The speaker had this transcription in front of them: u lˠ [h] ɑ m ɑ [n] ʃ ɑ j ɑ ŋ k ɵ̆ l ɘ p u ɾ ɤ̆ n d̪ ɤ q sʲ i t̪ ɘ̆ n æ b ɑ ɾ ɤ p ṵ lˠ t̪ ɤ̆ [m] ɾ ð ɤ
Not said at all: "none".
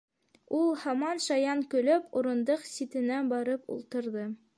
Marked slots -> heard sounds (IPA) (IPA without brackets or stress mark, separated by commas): h, n, none